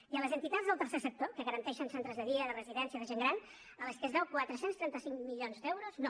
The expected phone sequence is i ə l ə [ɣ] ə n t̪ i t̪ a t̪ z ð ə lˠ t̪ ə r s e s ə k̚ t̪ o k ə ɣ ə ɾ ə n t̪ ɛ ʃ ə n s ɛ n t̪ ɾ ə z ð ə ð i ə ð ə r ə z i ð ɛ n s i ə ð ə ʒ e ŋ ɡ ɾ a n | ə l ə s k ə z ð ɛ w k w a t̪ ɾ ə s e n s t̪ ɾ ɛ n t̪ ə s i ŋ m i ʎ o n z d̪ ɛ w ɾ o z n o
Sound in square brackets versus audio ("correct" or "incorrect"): incorrect